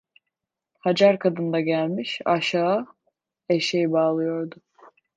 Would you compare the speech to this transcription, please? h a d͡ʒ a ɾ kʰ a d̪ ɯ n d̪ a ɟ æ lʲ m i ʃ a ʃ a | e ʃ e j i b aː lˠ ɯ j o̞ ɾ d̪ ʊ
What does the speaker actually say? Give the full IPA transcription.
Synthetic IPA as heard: h a d͡ʒ a ɾ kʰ a d̪ ɯ n d̪ a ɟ æ lʲ m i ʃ a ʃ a | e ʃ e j i b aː lˠ ɯ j o̞ ɾ d̪ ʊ